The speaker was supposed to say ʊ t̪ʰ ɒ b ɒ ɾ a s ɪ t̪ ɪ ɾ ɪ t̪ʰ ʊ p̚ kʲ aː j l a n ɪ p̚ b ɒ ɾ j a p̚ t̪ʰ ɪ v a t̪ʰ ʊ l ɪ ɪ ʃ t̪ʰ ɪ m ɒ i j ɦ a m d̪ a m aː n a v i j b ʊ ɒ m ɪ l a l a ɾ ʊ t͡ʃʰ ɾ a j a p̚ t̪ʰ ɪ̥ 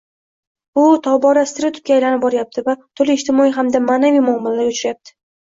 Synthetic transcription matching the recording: ʊ t̪ʰ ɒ b ɒ ɾ a s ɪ t̪ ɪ ɾ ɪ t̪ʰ ʊ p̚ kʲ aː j l a n ɪ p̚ b ɒ ɾ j a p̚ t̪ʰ ɪ v a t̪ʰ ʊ l ɪ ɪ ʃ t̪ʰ ɪ m ɒ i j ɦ a m d̪ a m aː n a v i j m ʊ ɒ m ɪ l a l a ɾ ʊ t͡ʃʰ ɾ a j a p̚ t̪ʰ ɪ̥